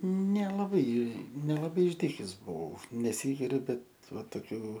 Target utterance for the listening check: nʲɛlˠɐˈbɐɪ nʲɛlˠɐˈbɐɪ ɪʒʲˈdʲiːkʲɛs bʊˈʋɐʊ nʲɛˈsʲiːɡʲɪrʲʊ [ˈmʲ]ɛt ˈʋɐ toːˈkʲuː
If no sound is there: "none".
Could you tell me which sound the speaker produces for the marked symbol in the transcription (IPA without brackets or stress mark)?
bʲ